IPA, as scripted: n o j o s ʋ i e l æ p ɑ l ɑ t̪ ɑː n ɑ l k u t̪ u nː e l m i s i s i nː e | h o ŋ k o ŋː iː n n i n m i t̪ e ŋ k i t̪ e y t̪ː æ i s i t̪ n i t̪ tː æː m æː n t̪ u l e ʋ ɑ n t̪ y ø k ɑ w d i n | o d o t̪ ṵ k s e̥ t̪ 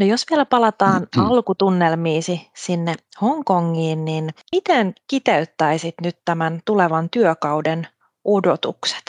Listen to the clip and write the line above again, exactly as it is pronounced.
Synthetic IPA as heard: n o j o s ʋ i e l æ p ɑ l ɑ t̪ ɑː n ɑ l k u t̪ u nː e l m iː s i s i nː e | h o ŋ k o ŋː iː n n i n m i t̪ e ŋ k i t̪ e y t̪ː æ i s i t̪ n y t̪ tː æ m æ n t̪ u l e ʋ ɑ n t̪ y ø k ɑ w d e n | o d o t̪ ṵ k s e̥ t̪